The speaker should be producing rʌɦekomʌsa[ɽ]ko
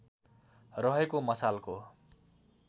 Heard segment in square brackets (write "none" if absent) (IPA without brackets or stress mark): l